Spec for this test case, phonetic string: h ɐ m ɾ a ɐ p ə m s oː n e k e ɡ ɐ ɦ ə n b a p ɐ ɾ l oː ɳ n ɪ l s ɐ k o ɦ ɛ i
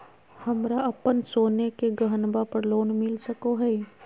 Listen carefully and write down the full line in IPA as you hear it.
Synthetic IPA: h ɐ m ɾ a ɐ p ə n s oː n e k e ɡ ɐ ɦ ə n b a p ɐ ɾ l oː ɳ m ɪ l s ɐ k o ɦ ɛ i